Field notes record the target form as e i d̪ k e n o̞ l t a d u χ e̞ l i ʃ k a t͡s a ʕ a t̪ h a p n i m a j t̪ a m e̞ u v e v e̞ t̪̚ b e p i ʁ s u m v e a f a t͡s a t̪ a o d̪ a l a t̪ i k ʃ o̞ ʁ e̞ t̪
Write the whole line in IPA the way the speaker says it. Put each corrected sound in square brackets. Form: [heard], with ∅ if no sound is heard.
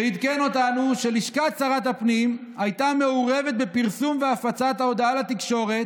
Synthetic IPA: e i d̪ k e n o̞ [∅] t a [n] u [ʃ] e̞ l i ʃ k a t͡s a [ʁ] a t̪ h a p n i m a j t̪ a m e̞ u [ʁ] e v e̞ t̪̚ b e p i ʁ s u m v e a f a t͡s a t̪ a o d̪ a l a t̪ i k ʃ o̞ ʁ e̞ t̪